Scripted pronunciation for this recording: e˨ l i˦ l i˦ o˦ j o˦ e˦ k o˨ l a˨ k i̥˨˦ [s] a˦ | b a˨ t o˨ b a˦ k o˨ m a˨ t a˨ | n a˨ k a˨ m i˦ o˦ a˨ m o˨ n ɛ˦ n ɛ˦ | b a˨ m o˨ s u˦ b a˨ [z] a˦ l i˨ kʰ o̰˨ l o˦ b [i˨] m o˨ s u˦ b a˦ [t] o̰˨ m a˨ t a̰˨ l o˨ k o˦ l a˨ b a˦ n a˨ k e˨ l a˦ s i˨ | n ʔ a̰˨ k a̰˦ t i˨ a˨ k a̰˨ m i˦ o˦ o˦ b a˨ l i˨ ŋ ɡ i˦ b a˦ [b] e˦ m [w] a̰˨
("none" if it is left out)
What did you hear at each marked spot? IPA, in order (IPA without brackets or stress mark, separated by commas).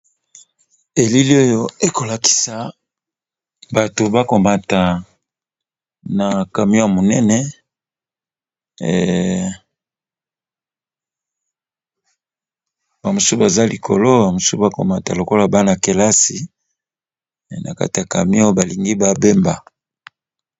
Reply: s, z, a˨, k, b, b